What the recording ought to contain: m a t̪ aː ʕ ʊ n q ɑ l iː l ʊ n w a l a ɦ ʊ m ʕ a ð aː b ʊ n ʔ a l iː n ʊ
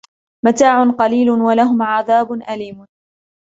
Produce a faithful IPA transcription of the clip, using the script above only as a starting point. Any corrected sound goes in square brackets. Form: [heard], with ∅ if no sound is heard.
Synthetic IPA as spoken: m a t̪ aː ʕ ʊ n q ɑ l iː l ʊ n w a l a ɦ ʊ m ʕ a ð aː b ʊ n ʔ a l iː [m] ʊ